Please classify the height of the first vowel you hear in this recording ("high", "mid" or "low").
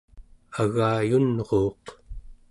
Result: low